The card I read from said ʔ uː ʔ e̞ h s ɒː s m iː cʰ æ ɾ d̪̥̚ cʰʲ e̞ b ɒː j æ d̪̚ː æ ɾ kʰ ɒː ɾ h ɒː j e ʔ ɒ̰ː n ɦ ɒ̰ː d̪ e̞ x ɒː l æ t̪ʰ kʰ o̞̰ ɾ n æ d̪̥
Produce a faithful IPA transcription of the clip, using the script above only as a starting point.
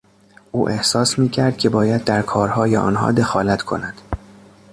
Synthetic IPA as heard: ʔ uː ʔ e̞ h s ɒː s m iː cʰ æ ɾ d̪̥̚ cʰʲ e̞ b ɒː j æ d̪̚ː æ ɾ kʰ ɒː ɾ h ɒː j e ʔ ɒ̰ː n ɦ ɒ̰ː d̪ e̞ x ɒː l æ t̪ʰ kʰ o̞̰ n æ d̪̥

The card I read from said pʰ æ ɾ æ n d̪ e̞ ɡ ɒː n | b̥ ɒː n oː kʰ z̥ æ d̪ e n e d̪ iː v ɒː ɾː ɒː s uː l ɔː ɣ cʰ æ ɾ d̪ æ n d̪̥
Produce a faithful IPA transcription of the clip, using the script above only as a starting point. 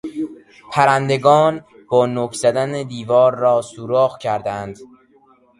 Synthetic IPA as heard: pʰ æ ɾ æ n d̪ e̞ ɡ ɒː n | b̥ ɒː n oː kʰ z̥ æ d̪ æ n e d̪ iː v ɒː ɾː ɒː s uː ɾ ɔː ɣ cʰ æ ɾ d̪ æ n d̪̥

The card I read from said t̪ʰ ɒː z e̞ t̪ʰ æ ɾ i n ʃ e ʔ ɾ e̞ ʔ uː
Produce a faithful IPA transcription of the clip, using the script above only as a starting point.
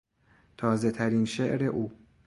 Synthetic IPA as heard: t̪ʰ ɒː z e̞ t̪ʰ æ ɾ i n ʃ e ʔ ɾ e̞ ʔ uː

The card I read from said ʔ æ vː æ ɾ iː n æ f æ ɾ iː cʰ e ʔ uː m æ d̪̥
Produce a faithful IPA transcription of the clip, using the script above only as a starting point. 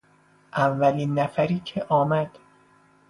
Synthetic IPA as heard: ʔ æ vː æ l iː nː æ f æ ɾ iː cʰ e ʔ ɒː m æ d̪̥

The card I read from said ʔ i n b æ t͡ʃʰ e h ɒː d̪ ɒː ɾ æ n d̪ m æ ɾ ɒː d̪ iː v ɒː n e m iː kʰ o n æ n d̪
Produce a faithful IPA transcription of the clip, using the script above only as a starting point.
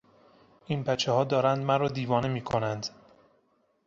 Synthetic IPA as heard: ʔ i n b æ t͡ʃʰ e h ɒː d̪ ɒː ɾ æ n d̪ m æ ɾ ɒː d̪ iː v ɒː n e m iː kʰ o n æ n d̪

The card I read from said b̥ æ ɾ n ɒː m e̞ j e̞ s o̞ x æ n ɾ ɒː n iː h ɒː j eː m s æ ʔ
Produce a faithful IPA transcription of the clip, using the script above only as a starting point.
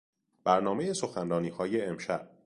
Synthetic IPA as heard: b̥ æ ɾ n ɒː m e̞ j e̞ s o̞ x æ n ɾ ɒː n iː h ɒː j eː m ʃ æ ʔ

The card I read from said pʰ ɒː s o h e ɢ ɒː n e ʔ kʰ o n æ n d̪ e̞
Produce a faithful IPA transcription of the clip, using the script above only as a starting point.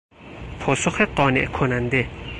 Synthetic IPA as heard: pʰ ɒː s o x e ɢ ɒː n e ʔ kʰ o n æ n d̪ e̞

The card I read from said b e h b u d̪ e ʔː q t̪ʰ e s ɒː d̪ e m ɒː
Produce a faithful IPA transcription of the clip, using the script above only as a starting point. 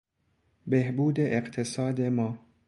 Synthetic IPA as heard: b e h b uː d̪ e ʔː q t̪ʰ e s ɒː d̪ e m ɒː

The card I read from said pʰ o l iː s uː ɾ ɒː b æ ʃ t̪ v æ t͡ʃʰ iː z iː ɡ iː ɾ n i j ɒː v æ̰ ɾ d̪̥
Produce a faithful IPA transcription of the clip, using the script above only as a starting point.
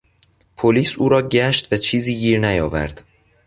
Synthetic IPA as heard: pʰ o l iː s uː ɾ ɒː ɟ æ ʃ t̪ v æ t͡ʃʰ iː z iː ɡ iː ɾ n æ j ɒː v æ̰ ɾ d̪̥

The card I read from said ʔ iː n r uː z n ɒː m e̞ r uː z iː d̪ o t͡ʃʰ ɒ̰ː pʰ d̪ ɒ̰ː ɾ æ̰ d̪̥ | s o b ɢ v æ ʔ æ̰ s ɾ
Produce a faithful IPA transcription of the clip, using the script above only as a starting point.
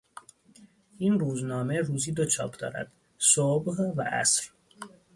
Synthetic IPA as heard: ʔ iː n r uː z n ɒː m e̞ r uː z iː d̪ o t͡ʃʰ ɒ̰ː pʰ d̪ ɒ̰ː ɾ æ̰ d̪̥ | s o b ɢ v æ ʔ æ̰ s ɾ

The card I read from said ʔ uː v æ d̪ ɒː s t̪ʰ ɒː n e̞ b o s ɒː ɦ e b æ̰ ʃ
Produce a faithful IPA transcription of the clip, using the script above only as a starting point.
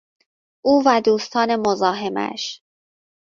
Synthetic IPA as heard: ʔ uː v æ d̪ uː s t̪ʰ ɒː n e̞ m o z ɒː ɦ e m æ̰ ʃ

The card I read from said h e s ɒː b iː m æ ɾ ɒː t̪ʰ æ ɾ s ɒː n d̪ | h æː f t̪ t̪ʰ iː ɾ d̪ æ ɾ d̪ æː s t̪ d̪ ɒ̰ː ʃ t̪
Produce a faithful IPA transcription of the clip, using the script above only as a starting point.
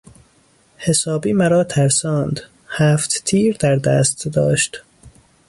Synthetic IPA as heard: h e s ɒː b iː m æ ɾ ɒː t̪ʰ æ ɾ s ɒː n d̪ | h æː f t̪ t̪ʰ iː ɾ d̪ æ ɾ d̪ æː s t̪ d̪ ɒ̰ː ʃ t̪

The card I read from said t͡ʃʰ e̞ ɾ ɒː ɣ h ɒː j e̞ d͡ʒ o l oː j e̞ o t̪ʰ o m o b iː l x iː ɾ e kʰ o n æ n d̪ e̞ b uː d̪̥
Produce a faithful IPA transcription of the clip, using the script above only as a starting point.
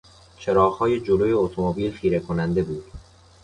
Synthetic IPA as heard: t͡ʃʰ e̞ ɾ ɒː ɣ h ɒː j e̞ d͡ʒ o l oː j e̞ o t̪ʰ o m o b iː l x iː ɾ e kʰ o n æ n d̪ e̞ b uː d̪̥

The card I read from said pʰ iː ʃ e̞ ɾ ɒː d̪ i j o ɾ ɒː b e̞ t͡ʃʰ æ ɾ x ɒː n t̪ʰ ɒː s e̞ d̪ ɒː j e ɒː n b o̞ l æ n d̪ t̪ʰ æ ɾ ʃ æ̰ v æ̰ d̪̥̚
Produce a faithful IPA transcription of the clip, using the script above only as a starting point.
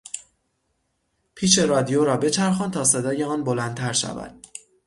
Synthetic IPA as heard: pʰ iː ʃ e̞ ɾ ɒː d̪ i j o ɾ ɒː b e̞ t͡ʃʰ æ ɾ x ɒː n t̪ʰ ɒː s e̞ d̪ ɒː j e ɒː n b o̞ l æ n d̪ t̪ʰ æ ɾ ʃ æ̰ v æ̰ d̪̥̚

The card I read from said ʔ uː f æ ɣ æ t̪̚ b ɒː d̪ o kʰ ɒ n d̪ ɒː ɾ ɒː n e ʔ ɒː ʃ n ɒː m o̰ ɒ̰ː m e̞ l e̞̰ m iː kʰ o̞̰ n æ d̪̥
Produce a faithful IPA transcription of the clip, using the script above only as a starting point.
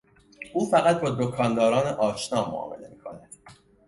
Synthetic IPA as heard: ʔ uː f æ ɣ æ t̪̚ b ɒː d̪ o kʰ ɒ n d̪ ɒː ɾ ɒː n e ʔ ɒː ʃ n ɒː m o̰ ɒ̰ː m e̞ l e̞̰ m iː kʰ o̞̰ n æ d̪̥

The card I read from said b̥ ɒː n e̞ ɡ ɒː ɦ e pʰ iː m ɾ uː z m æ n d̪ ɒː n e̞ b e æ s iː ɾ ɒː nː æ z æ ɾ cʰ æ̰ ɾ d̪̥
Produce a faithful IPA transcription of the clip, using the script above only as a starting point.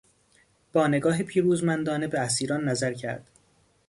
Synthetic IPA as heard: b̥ ɒː n e̞ ɡ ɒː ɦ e pʰ iː ɾ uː z m æ n d̪ ɒː n e̞ b e æ s iː ɾ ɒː nː æ z æ ɾ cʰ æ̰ ɾ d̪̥

